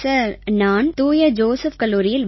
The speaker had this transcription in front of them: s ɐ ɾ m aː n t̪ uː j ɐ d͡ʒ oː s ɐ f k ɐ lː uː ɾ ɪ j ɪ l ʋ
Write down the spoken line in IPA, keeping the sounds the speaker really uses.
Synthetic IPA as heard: s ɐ ɾ n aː n t̪ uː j ɐ d͡ʒ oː s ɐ f k ɐ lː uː ɾ ɪ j ɪ l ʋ